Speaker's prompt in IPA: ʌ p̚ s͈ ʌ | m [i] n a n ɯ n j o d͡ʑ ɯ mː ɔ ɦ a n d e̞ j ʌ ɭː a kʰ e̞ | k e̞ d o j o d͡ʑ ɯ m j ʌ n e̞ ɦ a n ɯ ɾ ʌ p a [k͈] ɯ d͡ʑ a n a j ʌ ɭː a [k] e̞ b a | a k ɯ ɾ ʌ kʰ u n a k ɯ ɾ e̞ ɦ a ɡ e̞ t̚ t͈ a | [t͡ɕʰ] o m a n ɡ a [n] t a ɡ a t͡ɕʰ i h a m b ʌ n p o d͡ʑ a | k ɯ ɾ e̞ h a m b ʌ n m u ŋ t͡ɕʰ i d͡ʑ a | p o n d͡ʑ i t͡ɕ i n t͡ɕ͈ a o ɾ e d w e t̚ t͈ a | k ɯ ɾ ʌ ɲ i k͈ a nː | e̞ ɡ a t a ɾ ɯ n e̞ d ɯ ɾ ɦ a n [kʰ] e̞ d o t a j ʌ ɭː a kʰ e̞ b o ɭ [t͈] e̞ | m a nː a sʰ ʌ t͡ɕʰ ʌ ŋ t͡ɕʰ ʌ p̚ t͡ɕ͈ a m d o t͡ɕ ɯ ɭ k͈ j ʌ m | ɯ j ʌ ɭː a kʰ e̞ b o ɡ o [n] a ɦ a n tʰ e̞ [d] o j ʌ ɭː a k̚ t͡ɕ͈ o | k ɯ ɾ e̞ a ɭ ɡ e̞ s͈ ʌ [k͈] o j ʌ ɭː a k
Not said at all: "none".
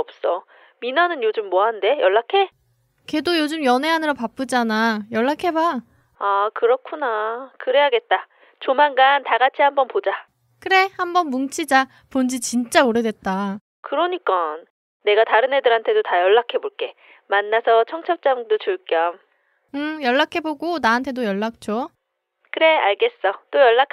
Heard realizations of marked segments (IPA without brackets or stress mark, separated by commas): i, p͈, kʰ, t͡ɕ, n, tʰ, k͈, n, d, t͈